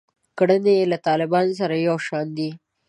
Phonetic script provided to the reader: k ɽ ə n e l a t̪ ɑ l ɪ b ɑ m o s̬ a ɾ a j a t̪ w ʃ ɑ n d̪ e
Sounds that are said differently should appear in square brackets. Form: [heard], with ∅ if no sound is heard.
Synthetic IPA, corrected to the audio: k ɽ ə n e l a t̪ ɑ l ɪ b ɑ [n] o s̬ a ɾ a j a [∅] w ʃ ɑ n d̪ [i]